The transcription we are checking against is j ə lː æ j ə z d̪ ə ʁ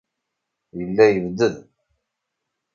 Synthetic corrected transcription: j ə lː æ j ə v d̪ ə ð